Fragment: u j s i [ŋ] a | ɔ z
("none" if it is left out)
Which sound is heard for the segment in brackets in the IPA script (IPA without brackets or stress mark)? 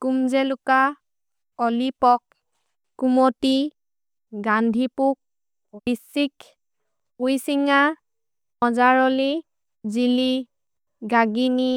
ŋ